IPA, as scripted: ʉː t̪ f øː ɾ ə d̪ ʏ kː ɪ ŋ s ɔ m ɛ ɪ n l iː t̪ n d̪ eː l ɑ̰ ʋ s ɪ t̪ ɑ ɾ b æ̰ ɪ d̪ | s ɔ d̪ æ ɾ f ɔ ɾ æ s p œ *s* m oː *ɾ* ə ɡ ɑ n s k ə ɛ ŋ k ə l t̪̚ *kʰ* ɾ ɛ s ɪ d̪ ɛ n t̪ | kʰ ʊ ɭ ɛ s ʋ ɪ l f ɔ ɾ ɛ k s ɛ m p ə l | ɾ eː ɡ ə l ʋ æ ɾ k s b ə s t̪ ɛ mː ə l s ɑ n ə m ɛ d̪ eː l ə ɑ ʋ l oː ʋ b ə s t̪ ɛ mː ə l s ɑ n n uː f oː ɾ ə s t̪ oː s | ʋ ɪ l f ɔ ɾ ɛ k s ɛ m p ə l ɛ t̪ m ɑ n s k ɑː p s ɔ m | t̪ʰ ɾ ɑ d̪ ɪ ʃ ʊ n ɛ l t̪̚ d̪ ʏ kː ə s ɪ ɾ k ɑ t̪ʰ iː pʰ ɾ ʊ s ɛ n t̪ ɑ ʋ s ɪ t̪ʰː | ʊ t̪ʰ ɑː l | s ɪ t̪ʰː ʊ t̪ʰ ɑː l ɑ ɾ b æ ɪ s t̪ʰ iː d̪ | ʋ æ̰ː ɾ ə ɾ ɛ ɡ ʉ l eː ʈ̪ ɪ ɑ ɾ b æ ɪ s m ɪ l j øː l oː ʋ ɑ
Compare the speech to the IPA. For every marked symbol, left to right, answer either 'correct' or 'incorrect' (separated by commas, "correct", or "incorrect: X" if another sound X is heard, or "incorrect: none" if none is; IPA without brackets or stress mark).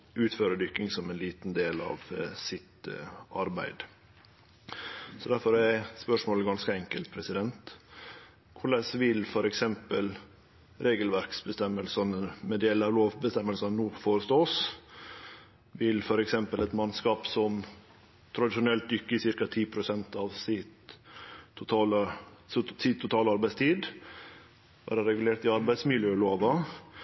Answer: incorrect: ʂ, incorrect: l, incorrect: pʰ